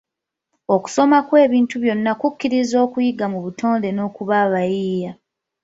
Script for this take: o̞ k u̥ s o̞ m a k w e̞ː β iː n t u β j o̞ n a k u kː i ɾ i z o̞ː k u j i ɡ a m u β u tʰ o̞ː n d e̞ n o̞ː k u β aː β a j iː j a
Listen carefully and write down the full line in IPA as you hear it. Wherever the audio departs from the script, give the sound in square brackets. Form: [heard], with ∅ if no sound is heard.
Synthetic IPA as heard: o̞ k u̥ s o̞ m a k w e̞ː β iː n t u β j o̞ [nː] a k u kː i ɾ i z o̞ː k u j i ɡ a m u β u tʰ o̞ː n d e̞ n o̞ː k u β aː β a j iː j a